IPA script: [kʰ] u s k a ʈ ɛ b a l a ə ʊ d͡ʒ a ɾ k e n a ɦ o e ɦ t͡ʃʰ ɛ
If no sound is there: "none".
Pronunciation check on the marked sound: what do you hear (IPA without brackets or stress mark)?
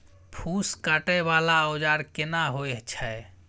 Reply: pʰ